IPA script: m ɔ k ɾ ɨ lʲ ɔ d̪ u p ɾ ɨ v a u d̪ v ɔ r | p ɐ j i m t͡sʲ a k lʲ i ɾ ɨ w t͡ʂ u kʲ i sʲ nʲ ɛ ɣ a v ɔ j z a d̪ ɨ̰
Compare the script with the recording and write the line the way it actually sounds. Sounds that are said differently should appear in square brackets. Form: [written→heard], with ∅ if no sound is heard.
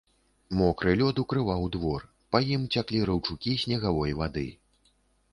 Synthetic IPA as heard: m ɔ k ɾ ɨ lʲ ɔ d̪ u [p→k] ɾ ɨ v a [u→w] d̪ v ɔ r | p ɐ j i m t͡sʲ a k lʲ i ɾ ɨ w t͡ʂ u kʲ i sʲ nʲ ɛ ɣ a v ɔ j [z→v] a d̪ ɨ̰